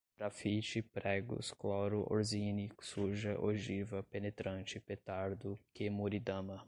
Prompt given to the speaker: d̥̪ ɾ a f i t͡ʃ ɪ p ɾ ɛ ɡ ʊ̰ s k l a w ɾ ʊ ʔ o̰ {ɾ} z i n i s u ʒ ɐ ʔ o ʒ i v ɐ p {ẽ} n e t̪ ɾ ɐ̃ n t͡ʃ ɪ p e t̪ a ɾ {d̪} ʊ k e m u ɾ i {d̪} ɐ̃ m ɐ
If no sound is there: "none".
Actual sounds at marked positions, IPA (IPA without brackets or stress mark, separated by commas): ɾ, e, d̪, d̪